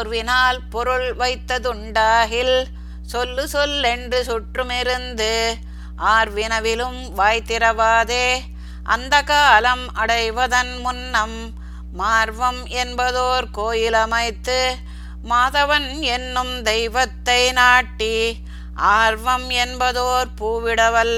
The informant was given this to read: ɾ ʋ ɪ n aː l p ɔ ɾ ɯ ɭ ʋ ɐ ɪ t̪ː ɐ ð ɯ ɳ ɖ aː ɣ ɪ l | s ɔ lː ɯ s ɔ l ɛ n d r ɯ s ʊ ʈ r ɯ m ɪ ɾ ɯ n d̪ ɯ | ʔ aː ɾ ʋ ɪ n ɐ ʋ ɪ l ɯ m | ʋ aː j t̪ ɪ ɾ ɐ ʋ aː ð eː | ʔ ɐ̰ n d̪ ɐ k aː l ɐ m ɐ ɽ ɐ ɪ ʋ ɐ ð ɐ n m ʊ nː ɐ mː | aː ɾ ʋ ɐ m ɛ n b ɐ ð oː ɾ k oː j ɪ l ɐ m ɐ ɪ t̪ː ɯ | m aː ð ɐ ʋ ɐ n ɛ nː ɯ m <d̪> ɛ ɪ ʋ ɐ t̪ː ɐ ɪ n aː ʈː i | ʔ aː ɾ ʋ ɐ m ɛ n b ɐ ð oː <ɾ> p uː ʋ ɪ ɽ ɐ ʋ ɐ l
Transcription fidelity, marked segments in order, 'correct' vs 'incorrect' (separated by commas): correct, correct